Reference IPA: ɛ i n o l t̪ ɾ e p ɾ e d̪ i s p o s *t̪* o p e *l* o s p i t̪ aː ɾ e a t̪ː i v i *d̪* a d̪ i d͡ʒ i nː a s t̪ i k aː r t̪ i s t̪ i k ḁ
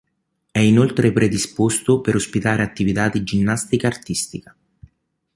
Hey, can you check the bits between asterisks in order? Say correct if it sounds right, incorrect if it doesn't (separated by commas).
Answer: correct, incorrect, incorrect